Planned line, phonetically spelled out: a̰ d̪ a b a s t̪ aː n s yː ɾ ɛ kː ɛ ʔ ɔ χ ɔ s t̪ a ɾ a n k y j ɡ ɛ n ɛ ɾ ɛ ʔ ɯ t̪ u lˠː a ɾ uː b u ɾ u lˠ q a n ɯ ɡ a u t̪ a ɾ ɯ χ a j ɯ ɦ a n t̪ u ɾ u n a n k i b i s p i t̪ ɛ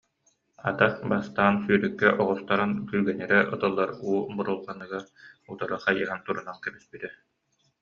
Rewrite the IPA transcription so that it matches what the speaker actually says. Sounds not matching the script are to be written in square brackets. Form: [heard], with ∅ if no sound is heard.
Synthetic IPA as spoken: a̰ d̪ a b a s t̪ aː n s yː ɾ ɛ kː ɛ ʔ ɔ [ʁ] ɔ s t̪ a ɾ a n k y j ɡ ɛ n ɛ ɾ ɛ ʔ ɯ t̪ [ɯ] lˠː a ɾ uː b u ɾ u lˠ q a n ɯ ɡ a u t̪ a ɾ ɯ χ a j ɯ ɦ a n t̪ u ɾ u n a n k [ɛ] b i s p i t̪ ɛ